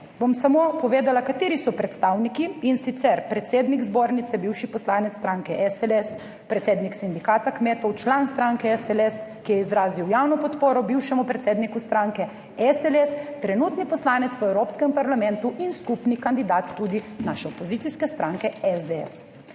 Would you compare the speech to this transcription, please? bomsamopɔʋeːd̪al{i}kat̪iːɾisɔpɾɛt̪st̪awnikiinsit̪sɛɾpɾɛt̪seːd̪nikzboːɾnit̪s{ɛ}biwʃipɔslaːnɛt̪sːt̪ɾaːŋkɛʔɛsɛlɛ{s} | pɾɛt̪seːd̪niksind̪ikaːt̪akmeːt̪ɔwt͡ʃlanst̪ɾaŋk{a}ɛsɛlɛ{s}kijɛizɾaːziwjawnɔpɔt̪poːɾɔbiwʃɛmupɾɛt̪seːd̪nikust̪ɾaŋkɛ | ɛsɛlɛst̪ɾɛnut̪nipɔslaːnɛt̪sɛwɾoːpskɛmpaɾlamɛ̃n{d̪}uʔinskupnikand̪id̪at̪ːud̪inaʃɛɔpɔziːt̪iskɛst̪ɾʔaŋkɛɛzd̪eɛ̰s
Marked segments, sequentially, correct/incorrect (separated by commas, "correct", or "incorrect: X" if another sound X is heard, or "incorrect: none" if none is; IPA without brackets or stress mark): incorrect: a, correct, correct, incorrect: ɛ, correct, incorrect: t̪